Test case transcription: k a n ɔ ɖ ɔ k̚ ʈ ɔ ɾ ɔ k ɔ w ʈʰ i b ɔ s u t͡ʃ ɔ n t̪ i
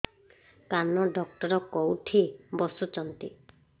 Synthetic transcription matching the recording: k a n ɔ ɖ ɔ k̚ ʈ ɔ ɾ ɔ k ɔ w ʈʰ i b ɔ s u t͡ʃ ɔ n t̪ i